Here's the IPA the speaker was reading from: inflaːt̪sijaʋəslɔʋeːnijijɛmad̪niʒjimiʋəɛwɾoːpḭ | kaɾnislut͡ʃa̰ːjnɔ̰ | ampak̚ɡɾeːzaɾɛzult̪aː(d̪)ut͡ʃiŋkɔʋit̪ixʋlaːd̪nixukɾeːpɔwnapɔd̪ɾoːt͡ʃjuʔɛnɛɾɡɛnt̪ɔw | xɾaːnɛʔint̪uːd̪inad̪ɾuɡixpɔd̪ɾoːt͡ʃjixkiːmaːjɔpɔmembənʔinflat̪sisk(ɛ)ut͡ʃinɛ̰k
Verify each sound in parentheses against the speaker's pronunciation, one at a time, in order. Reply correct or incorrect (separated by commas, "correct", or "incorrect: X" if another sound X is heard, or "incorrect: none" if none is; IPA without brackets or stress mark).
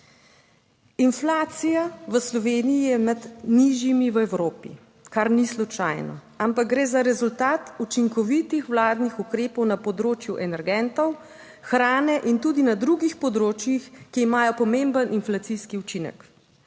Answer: incorrect: t̪, incorrect: i